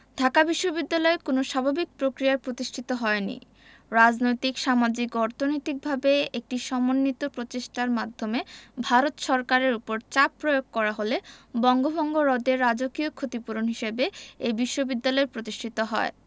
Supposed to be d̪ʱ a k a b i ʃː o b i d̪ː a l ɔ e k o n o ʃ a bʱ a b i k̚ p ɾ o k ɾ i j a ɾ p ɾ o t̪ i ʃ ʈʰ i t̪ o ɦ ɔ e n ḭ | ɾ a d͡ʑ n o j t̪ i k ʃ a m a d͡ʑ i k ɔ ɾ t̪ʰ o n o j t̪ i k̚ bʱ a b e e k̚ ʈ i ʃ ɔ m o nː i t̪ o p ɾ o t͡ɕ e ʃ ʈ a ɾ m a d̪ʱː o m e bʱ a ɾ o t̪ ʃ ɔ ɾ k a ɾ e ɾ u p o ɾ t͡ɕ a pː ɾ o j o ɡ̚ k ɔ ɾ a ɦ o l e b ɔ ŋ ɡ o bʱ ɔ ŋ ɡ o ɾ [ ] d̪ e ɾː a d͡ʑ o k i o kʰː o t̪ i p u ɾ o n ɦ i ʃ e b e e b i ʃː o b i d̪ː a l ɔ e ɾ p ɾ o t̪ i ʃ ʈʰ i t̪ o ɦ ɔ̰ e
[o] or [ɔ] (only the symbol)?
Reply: ɔ